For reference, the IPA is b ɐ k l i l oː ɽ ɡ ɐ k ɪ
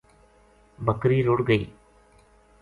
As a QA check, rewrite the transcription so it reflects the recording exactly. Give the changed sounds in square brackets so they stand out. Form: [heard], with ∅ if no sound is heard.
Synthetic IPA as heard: b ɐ k [ɾ] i [ɾ] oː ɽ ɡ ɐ [∅] ɪ